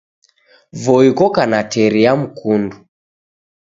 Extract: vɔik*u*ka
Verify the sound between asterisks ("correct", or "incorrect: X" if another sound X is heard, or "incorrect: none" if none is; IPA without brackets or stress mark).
incorrect: ɔ